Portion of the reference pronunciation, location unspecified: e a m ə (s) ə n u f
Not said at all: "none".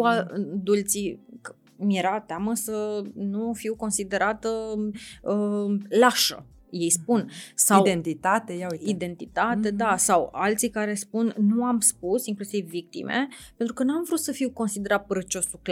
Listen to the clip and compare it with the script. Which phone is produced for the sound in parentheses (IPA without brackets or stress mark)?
s